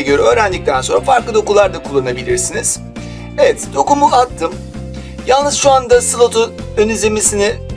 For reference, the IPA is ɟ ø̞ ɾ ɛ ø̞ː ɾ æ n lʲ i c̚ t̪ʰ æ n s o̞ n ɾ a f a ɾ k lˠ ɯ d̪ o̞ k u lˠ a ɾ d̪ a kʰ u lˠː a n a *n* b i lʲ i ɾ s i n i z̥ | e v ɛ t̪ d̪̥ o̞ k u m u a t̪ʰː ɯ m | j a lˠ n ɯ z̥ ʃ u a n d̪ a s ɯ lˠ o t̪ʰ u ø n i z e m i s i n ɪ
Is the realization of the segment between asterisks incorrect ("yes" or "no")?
yes